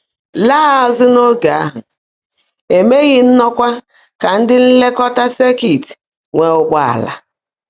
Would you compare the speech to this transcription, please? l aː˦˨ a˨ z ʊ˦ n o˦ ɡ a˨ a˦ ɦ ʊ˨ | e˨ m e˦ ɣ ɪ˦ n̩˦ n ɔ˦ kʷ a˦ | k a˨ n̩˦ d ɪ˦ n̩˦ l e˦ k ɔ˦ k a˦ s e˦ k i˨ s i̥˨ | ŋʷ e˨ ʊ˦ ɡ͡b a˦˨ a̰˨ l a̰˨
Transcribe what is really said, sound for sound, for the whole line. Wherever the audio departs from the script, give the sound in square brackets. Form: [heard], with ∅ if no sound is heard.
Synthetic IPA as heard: l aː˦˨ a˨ z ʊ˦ n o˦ ɡ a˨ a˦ ɦ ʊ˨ | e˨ m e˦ ɣ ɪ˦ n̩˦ n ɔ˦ kʷ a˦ | k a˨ n̩˦ d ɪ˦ n̩˦ l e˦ k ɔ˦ [t] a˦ s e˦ k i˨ [t] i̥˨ | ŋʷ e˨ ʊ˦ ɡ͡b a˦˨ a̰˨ l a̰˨